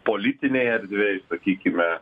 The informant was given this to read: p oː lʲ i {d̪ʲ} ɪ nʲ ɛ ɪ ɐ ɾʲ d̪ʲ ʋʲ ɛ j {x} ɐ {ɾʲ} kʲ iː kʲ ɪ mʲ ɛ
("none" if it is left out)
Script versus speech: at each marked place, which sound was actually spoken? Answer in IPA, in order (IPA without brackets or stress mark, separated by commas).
t̪ʲ, s, none